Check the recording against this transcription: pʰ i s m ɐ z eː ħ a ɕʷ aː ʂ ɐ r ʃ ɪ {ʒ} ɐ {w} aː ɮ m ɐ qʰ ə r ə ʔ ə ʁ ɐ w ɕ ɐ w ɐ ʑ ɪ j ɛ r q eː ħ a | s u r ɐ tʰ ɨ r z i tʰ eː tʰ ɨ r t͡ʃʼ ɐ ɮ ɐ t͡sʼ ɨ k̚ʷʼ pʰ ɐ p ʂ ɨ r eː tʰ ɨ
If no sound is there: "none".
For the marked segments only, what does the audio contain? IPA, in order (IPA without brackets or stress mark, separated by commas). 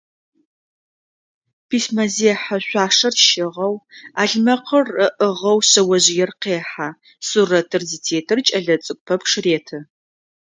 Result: ʁ, w